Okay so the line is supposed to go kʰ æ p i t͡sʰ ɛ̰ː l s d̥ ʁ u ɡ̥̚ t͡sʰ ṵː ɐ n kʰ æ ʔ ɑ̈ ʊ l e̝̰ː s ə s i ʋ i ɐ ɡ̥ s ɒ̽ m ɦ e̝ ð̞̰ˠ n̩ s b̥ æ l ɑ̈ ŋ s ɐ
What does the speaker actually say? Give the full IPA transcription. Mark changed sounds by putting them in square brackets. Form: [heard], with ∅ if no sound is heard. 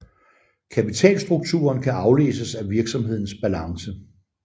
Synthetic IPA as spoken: kʰ æ p i t͡sʰ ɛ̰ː l s d̥ ʁ u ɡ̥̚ t͡sʰ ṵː ɐ n kʰ æ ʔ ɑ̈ ʊ l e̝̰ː s ə s [æ] ʋ i ɐ ɡ̥ s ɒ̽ m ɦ e̝ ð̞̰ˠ n̩ s b̥ æ l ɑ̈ ŋ s [ə]